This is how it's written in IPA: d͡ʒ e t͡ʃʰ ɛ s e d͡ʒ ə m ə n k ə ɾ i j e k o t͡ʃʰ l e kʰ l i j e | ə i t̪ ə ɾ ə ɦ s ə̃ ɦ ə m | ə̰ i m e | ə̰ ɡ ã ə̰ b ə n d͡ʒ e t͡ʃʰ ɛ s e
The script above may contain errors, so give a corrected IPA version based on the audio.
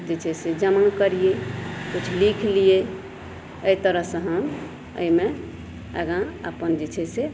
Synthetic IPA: d͡ʒ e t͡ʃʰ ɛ s e d͡ʒ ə m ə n k ə ɾ i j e k u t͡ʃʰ l i kʰ l i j e | ə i t̪ ə ɾ ə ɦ s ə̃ ɦ ə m | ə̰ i m e | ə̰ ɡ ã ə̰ p ə n d͡ʒ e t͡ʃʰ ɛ s e